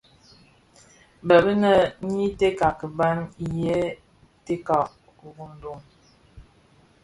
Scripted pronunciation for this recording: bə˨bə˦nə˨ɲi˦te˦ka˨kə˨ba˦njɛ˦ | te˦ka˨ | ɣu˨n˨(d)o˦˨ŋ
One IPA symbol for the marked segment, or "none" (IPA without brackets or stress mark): d